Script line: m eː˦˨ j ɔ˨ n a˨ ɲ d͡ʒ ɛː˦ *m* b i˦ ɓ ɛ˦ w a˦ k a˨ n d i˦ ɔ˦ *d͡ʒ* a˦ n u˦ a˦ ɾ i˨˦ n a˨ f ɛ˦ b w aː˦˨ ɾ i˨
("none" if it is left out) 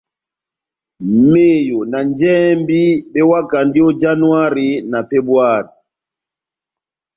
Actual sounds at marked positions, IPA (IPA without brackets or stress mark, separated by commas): m, d͡ʒ